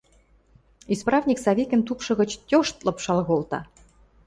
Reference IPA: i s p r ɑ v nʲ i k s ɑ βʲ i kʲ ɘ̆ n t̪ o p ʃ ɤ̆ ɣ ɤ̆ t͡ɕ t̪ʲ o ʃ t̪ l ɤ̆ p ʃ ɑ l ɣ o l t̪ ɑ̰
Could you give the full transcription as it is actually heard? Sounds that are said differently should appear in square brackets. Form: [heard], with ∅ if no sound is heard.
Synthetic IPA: i s p r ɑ v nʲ i k s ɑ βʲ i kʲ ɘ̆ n t̪ [u] p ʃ ɤ̆ ɣ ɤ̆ t͡ɕ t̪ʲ o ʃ t̪ l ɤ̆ p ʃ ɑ l ɣ o l t̪ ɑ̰